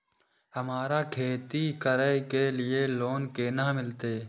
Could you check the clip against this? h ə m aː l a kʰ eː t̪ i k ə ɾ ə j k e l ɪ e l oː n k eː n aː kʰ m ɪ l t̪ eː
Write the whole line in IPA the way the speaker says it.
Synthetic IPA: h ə m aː ɾ a kʰ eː t̪ i k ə ɾ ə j k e l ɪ e l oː n k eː n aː m ɪ l t̪ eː

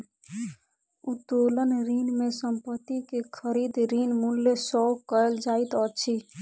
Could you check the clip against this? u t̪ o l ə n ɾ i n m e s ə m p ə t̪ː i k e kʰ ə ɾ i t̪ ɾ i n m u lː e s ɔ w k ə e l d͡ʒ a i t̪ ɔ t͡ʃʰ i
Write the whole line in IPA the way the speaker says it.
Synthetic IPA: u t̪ o l ə n ɾ i n m e s ə m p ə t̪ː i k e kʰ ə ɾ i d̪ ɾ i n m u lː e s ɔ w k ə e l d͡ʒ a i t̪ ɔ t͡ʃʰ i

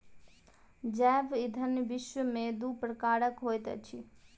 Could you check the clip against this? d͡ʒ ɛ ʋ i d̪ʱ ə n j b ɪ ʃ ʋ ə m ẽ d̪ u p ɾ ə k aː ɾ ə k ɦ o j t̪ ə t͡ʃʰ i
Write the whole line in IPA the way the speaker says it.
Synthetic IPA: d͡ʒ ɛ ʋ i d̪ʱ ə n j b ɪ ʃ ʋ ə m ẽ d̪ u p ɾ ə k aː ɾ ə k ɦ o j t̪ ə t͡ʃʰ i

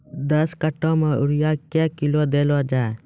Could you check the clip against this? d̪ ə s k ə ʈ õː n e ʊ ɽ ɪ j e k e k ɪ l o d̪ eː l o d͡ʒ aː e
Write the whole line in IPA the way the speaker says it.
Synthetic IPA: d̪ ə s k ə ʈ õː m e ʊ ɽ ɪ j a k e k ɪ l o d̪ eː l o d͡ʒ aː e

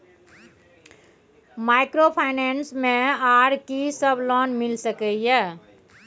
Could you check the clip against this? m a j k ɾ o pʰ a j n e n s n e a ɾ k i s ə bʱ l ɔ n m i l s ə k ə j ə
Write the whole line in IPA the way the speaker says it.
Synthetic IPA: m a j k ɾ o pʰ a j n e n s m e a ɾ k i s ə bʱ l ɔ n m i l s ə k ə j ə

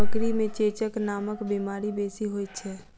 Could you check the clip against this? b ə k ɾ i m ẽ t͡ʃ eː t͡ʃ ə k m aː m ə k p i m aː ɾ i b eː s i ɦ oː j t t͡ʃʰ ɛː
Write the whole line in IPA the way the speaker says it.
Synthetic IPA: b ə k ɾ i m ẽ t͡ʃ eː t͡ʃ ə k n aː m ə k b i m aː ɾ i b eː s i ɦ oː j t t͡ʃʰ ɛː

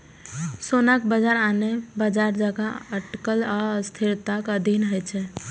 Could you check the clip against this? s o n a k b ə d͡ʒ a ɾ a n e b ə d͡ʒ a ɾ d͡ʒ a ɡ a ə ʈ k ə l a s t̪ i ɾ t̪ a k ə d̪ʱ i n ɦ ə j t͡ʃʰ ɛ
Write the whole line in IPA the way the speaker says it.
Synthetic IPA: s o n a k b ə d͡ʒ a ɾ a n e b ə d͡ʒ a ɾ d͡ʒ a ɡ a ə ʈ k ə l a s t̪ʰ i ɾ t̪ a k ə d̪ʱ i n ɦ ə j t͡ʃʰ ɛ

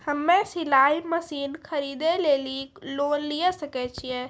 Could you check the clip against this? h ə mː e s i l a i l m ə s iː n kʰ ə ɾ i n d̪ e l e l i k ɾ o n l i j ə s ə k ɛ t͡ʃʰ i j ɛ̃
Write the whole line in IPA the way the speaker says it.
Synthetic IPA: h ə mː e s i l a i m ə s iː n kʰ ə ɾ i d̪ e l e l i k l o n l i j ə s ə k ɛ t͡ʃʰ i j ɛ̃

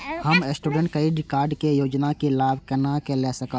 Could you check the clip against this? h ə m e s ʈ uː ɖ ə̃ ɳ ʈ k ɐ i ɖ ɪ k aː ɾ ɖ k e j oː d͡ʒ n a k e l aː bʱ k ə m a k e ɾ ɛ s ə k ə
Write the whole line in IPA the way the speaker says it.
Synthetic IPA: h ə m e s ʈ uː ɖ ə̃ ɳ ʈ k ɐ i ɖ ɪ k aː ɾ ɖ k e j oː d͡ʒ n a k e l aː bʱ k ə n a k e l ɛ s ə k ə

